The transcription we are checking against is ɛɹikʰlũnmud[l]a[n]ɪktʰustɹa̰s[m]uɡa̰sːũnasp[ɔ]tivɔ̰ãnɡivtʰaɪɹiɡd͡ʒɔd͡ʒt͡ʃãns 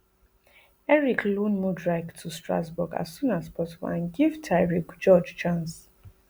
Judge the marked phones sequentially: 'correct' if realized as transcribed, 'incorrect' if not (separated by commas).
incorrect, incorrect, incorrect, correct